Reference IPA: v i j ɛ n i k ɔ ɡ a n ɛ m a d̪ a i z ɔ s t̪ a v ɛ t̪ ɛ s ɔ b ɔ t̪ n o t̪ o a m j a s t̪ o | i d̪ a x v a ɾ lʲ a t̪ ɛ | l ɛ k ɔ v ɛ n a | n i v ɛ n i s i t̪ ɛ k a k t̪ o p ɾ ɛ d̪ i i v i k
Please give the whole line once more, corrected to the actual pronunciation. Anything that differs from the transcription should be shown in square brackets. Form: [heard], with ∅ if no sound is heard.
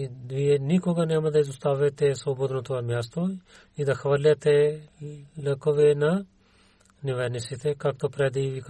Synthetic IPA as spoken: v i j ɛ n i k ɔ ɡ a n ɛ m a d̪ a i z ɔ s t̪ a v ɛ t̪ ɛ s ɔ b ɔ [d̪] n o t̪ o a m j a s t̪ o | i d̪ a x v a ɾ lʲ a t̪ ɛ | l ɛ k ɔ v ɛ n a | n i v ɛ n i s i t̪ ɛ k a k t̪ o p ɾ ɛ d̪ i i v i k